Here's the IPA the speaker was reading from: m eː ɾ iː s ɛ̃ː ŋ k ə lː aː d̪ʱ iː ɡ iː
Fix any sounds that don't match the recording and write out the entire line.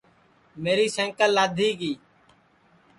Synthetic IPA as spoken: m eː ɾ iː s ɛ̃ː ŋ k ə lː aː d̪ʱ iː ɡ iː

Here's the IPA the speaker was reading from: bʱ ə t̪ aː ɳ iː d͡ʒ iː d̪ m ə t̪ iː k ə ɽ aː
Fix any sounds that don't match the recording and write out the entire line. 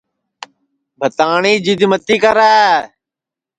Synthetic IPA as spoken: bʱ ə t̪ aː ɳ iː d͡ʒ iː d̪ m ə t̪ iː k ə ɾ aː

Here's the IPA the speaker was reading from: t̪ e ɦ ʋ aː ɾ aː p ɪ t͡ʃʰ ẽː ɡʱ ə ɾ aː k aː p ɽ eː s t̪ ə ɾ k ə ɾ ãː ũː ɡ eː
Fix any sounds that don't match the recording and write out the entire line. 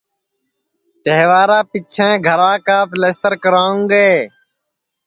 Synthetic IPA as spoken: t̪ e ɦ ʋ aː ɾ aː p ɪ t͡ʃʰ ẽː ɡʱ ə ɾ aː k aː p l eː s t̪ ə ɾ k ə ɾ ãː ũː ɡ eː

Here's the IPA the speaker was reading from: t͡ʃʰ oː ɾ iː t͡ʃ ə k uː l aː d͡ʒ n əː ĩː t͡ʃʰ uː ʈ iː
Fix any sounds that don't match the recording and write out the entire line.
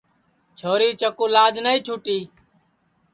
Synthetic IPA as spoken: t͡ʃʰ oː ɾ iː t͡ʃ ə k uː l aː d͡ʒ n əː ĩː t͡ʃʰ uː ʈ iː

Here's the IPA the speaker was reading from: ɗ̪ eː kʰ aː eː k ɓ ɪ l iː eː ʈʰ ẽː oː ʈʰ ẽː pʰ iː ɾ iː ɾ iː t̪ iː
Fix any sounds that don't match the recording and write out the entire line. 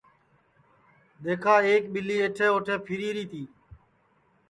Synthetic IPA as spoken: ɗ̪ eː kʰ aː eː k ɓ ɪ l iː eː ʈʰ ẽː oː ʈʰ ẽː pʰ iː ɾ iː ɾ iː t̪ iː

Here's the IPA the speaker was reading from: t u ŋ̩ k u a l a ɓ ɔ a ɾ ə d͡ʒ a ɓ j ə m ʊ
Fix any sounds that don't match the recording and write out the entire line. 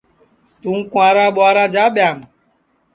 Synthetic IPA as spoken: t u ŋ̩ k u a ɾ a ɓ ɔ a ɾ a d͡ʒ a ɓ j a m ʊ

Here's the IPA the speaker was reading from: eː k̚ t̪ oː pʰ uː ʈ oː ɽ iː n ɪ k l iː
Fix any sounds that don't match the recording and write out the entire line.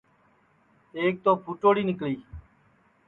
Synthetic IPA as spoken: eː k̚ t̪ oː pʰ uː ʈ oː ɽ iː n ɪ k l iː

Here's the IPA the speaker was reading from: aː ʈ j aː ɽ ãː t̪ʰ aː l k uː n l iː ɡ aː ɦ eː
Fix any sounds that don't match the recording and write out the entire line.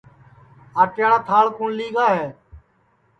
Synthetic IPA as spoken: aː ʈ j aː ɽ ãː t̪ʰ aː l k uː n l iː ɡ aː ɦ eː

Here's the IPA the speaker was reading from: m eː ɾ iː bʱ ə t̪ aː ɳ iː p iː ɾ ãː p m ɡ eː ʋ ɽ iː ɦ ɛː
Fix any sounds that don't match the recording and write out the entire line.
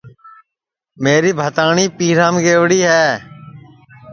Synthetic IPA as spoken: m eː ɾ iː bʱ ə t̪ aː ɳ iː p iː ɾ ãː m ɡ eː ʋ ɽ iː ɦ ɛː

